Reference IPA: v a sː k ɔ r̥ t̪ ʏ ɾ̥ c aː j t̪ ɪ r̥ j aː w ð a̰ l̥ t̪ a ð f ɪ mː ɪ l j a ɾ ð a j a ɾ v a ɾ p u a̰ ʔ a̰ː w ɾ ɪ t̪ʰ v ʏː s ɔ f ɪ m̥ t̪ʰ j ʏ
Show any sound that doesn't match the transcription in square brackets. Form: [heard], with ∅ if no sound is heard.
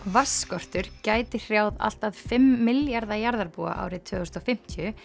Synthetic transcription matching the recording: v a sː k ɔ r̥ t̪ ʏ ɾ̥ c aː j t̪ ɪ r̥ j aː w ð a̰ l̥ t̪ a ð f ɪ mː ɪ l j a ɾ ð a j a ɾ [ð] a ɾ p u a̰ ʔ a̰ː w ɾ ɪ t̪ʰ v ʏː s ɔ f ɪ m̥ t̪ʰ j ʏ